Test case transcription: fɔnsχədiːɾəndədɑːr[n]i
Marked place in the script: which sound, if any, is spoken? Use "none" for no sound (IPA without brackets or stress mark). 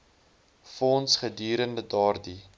d